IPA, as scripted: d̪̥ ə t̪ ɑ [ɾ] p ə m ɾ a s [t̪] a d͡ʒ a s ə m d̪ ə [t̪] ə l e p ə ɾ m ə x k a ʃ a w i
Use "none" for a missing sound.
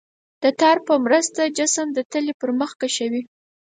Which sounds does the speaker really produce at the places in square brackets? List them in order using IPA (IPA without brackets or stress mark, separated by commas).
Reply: ɾ, t̪, t̪